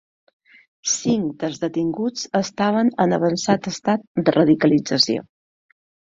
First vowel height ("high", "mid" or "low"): high